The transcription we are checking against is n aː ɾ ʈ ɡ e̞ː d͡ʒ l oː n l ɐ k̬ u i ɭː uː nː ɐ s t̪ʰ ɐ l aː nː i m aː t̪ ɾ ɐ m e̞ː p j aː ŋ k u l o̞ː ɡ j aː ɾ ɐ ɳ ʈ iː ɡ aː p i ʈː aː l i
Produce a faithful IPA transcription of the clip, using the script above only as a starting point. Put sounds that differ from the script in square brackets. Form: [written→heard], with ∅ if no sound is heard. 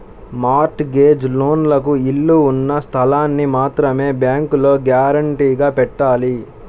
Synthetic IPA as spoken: [n→m] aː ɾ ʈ ɡ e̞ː d͡ʒ l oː n l ɐ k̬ u i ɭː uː nː ɐ s t̪ʰ ɐ l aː nː i m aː t̪ ɾ ɐ m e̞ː [p→b] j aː ŋ k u l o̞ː ɡ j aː ɾ ɐ ɳ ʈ iː ɡ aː p [i→ɛ] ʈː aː l i

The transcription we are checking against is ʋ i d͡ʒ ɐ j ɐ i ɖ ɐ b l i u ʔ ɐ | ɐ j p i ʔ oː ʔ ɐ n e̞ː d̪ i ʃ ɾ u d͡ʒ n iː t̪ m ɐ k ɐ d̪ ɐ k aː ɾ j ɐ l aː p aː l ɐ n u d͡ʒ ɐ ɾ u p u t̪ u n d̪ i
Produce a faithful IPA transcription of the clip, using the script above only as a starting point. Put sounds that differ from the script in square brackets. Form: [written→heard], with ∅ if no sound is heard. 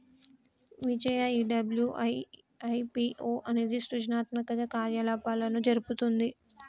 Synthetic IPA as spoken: ʋ i d͡ʒ ɐ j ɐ i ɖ ɐ b l [i→j] u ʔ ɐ | ɐ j p i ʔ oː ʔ ɐ n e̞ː d̪ i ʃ ɾ u d͡ʒ n [iː→aː] t̪ m ɐ k ɐ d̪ ɐ k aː ɾ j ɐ l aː p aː l ɐ n u d͡ʒ ɐ ɾ u p u t̪ u n d̪ i

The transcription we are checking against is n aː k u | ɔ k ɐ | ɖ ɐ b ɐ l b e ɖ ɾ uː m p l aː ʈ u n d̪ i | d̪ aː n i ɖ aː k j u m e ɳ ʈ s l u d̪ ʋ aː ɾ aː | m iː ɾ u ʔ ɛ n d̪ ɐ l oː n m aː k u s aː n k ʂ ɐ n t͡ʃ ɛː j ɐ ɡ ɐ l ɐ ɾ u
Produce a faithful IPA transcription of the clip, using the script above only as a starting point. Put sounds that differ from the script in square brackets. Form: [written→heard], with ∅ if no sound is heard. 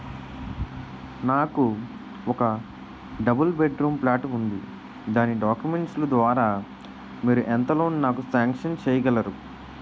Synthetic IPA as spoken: n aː k u | ɔ k ɐ | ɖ ɐ b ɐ l b e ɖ ɾ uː m p l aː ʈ u n d̪ i | d̪ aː n i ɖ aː k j u m e ɳ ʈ s l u d̪ ʋ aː ɾ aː | m iː ɾ u ʔ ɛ n [d̪→t̪] ɐ l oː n [m→n] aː k u s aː [n→ŋ] k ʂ ɐ n t͡ʃ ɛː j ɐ ɡ ɐ l ɐ ɾ u

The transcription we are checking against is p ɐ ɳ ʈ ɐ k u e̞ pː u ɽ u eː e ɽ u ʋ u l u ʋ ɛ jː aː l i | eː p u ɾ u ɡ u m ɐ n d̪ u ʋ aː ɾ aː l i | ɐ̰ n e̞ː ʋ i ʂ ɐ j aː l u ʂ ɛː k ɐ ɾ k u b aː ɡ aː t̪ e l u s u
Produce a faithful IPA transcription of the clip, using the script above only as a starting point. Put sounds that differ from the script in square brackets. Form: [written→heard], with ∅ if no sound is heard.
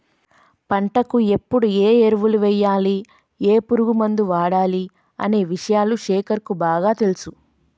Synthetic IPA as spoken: p ɐ ɳ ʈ ɐ k u e̞ pː u ɽ u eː e [ɽ→ɾ] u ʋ u l u ʋ ɛ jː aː l i | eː p u ɾ u ɡ u m ɐ n d̪ u ʋ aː [ɾ→ɽ] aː l i | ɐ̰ n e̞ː ʋ i ʂ ɐ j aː l u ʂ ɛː k ɐ ɾ k u b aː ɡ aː t̪ e l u s u

